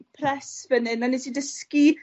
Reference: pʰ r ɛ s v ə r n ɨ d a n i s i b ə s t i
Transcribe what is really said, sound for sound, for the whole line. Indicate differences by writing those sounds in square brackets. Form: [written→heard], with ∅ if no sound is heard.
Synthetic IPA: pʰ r ɛ s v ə [r→∅] n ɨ [d→n] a n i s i [b→d] ə s [t→k] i